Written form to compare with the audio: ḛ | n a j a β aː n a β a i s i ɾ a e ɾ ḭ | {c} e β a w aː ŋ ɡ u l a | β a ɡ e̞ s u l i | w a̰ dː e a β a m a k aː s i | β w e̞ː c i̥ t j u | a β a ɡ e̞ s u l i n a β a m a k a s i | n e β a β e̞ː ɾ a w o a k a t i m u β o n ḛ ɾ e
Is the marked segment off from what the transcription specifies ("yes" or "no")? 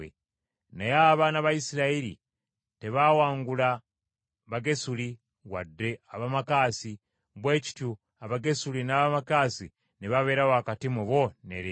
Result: yes